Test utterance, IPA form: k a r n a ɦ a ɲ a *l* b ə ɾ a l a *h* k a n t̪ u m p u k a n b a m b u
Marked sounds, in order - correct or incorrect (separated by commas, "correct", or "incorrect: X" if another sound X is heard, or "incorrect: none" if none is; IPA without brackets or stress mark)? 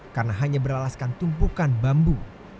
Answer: incorrect: none, incorrect: s